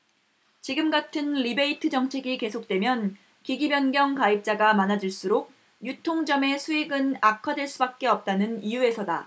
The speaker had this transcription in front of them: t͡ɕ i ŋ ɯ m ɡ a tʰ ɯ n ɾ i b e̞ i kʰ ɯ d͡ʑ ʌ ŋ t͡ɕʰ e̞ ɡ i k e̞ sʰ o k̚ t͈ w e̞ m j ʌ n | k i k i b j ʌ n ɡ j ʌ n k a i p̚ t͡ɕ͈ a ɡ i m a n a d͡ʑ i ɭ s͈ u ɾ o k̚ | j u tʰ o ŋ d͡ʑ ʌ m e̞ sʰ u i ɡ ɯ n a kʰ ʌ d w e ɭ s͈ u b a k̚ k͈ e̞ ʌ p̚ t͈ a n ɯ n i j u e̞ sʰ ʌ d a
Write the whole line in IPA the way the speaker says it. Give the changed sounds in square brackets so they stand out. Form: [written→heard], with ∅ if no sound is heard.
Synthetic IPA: t͡ɕ i [ŋ→ɡ] ɯ m ɡ a tʰ ɯ n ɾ i b e̞ i [kʰ→tʰ] ɯ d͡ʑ ʌ ŋ t͡ɕʰ e̞ ɡ i k e̞ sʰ o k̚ t͈ w e̞ m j ʌ n | k i [k→ɡ] i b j ʌ n ɡ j ʌ [n→ŋ] k a i p̚ t͡ɕ͈ a ɡ [i→a] m a n a d͡ʑ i ɭ s͈ u ɾ o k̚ | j u tʰ o ŋ d͡ʑ ʌ m e̞ sʰ u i ɡ ɯ n a kʰ ʌ d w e ɭ s͈ u b a k̚ k͈ e̞ ʌ p̚ t͈ a n ɯ n i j u e̞ sʰ ʌ d a

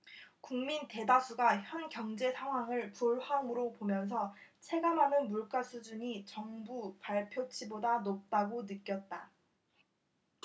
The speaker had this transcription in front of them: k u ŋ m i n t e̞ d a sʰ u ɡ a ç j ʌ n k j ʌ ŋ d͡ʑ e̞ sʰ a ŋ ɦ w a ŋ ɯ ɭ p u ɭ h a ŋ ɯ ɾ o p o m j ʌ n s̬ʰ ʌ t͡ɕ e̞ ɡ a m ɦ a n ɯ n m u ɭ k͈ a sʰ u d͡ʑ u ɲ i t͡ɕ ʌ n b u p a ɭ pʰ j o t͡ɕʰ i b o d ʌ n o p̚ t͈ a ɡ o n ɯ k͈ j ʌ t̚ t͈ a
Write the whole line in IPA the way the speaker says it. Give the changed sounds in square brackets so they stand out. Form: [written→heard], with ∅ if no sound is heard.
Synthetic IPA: k u ŋ m i n t e̞ d a sʰ u ɡ a ç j ʌ n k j ʌ ŋ d͡ʑ e̞ sʰ a ŋ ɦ w a ŋ ɯ ɭ p u ɭ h a ŋ ɯ ɾ o p o m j ʌ n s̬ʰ ʌ [t͡ɕ→t͡ɕʰ] e̞ ɡ a m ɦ a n ɯ n m u ɭ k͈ a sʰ u d͡ʑ u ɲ i t͡ɕ ʌ [n→ŋ] b u p a ɭ pʰ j o t͡ɕʰ i b o d [ʌ→a] n o p̚ t͈ a ɡ o n ɯ k͈ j ʌ t̚ t͈ a

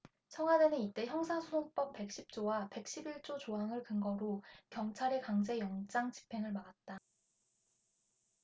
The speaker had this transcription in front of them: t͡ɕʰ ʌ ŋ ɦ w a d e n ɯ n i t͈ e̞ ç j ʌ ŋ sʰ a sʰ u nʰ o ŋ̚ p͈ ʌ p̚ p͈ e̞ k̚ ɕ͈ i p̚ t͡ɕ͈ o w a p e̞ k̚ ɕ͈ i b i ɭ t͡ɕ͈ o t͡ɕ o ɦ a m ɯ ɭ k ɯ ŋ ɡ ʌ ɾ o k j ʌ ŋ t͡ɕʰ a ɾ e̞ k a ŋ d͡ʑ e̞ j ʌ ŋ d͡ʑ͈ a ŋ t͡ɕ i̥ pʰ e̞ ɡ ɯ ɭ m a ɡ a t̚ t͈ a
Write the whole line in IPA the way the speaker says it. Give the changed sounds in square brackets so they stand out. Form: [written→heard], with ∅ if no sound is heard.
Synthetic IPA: t͡ɕʰ ʌ ŋ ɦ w a d e n ɯ n i t͈ e̞ ç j ʌ ŋ sʰ a sʰ u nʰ o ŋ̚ p͈ ʌ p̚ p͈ e̞ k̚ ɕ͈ i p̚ t͡ɕ͈ o w a p e̞ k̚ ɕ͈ i b i ɭ t͡ɕ͈ o t͡ɕ o ɦ a [m→ŋ] ɯ ɭ k ɯ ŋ ɡ ʌ ɾ o k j ʌ ŋ t͡ɕʰ a ɾ e̞ k a ŋ d͡ʑ e̞ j ʌ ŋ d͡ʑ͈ a ŋ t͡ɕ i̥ pʰ e̞ [ɡ→ŋ] ɯ ɭ m a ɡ a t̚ t͈ a

